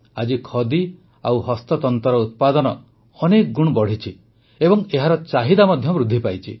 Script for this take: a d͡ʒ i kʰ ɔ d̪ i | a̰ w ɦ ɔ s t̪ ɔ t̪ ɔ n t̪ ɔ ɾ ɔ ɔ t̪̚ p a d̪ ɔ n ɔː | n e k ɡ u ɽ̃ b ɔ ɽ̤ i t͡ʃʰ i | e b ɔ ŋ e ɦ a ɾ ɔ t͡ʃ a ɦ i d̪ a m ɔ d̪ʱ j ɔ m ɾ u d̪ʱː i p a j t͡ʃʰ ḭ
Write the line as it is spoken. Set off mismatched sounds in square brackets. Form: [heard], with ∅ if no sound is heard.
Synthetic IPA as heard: a d͡ʒ i kʰ ɔ d̪ i | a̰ w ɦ ɔ s t̪ ɔ t̪ ɔ n t̪ ɔ ɾ ɔ [u] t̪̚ p a d̪ ɔ n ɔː | n e k ɡ u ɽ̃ b ɔ ɽ̤ i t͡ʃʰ i | e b ɔ ŋ e ɦ a ɾ ɔ t͡ʃ a ɦ i d̪ a m ɔ d̪ʱ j ɔ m ɾ u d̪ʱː i p a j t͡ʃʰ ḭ